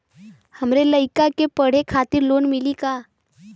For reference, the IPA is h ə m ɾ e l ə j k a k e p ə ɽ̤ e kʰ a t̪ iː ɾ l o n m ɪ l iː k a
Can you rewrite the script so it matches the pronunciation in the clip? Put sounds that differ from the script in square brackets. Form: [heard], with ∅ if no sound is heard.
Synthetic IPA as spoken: h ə m ɾ e l ə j k a k e p ə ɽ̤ e kʰ a t̪ iː ɾ l o n m [i] l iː k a

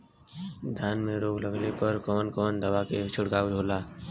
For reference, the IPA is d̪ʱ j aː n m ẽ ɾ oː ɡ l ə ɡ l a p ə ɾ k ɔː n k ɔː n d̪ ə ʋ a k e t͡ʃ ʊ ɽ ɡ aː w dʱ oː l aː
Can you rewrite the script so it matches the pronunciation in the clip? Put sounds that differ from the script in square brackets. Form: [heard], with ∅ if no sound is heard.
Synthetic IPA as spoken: d̪ʱ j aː n m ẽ ɾ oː ɡ l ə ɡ l [e] p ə ɾ k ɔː n k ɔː n d̪ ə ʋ a k e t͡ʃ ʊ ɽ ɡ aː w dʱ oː l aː

